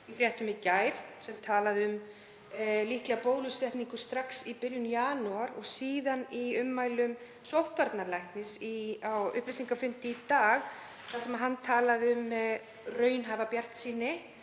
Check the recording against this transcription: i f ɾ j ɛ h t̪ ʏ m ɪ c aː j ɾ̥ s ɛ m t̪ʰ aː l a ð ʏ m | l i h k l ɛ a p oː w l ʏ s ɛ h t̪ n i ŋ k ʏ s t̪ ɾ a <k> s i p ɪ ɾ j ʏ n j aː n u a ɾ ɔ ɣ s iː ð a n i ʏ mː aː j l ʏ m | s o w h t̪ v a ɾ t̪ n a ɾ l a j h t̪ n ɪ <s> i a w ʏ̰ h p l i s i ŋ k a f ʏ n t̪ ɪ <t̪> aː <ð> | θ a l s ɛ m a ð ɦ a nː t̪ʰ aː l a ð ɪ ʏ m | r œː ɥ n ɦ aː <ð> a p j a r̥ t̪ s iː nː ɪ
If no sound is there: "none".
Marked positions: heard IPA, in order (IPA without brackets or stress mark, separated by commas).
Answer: k, s, t̪, ɣ, v